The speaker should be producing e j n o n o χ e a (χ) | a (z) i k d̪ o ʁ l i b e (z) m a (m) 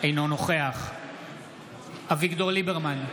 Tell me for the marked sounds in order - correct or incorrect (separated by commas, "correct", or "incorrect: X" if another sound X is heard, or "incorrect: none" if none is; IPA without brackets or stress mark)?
correct, incorrect: v, incorrect: ʁ, incorrect: n